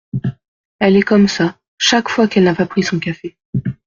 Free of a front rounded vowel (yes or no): yes